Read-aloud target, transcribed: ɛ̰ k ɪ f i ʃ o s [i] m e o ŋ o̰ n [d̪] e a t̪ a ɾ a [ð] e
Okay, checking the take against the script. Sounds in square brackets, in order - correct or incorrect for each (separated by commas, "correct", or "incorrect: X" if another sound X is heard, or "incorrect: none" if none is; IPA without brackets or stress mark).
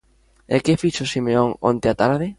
correct, incorrect: t̪, correct